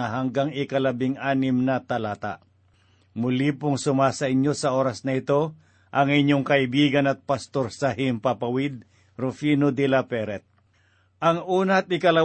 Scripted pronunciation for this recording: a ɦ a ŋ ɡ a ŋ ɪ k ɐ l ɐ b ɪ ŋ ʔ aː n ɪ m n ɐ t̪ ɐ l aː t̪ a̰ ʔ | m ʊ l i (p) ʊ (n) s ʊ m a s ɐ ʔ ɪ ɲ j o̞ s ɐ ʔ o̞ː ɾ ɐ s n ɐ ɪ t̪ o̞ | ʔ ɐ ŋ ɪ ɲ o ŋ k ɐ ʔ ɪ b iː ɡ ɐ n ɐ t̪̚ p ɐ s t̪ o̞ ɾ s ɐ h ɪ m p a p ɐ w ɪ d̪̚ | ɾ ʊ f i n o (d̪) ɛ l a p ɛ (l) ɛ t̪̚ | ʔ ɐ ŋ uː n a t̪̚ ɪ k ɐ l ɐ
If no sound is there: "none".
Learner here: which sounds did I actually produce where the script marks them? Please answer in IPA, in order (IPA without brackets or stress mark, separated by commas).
p, ŋ, d̪, ɾ